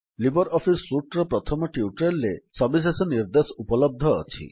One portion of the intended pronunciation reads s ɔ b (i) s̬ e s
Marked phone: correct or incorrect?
correct